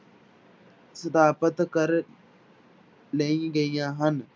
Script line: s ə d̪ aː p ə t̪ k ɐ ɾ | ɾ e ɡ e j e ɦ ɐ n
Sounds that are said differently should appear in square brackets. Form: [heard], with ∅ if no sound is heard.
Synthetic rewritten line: s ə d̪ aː p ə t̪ k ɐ ɾ | [l] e ɡ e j [a] ɦ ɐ n